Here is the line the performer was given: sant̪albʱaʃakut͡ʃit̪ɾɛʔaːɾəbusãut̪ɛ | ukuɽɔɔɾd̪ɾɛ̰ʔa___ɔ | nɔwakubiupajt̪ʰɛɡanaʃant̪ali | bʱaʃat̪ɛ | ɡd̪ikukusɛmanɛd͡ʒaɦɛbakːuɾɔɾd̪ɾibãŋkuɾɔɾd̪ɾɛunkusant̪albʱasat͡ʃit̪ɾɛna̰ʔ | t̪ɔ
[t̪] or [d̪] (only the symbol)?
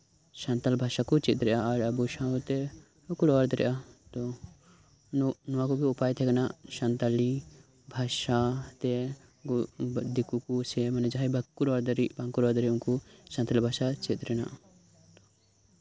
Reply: t̪